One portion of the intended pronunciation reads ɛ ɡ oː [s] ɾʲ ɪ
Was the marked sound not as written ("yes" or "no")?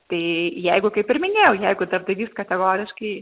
yes